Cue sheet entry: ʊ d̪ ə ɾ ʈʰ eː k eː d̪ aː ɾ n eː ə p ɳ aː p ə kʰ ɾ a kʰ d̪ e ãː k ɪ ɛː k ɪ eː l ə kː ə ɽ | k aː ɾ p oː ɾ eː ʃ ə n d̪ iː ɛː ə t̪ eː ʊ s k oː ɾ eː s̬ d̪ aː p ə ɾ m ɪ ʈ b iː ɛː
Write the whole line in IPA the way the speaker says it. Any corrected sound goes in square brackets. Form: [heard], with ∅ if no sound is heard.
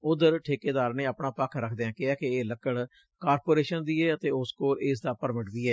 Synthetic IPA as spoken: ʊ d̪ ə ɾ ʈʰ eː k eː d̪ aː ɾ n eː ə p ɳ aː p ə kʰ ɾ [ə] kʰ d̪ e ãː k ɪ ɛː k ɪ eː l ə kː ə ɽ | k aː ɾ p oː ɾ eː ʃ ə n d̪ iː ɛː ə t̪ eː ʊ s k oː ɾ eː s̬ d̪ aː p ə ɾ m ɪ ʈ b iː ɛː